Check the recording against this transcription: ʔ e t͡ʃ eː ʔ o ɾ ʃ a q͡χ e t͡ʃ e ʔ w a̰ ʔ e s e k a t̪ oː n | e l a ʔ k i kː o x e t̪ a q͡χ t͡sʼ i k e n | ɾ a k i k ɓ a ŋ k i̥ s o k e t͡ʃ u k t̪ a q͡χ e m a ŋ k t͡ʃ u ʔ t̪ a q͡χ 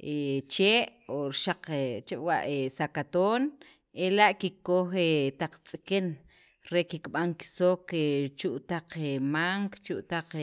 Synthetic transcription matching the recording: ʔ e t͡ʃ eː ʔ o ɾ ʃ a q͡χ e t͡ʃ e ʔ w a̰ ʔ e s a k a t̪ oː n | e l a ʔ k i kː o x e t̪ a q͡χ t͡sʼ i k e n | ɾ e k i k ɓ a ŋ k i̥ s o k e t͡ʃ u ʔ t̪ a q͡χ e m a ŋ k t͡ʃ u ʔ t̪ a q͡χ